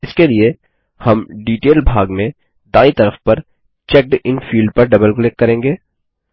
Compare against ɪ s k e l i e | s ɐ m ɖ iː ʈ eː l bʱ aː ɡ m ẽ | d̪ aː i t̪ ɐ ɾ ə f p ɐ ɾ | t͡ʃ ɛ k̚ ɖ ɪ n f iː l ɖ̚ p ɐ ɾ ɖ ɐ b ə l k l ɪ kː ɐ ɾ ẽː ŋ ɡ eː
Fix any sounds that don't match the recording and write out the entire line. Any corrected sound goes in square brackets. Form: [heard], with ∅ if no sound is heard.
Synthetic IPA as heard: ɪ s k e l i e | [h] ɐ m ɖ iː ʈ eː l bʱ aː ɡ m ẽ | d̪ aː i t̪ ɐ ɾ ə f p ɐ ɾ | t͡ʃ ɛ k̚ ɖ ɪ n f iː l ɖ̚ p ɐ ɾ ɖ ɐ b ə l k l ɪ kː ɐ ɾ ẽː ŋ ɡ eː